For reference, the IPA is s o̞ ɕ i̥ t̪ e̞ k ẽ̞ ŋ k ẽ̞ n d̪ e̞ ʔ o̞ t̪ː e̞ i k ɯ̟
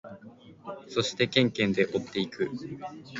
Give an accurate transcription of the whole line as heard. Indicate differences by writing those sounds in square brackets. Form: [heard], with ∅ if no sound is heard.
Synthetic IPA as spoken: s o̞ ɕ i̥ t̪ e̞ k ẽ̞ ŋ k ẽ̞ n d̪ e̞ ʔ o̞ t̪ː e̞ i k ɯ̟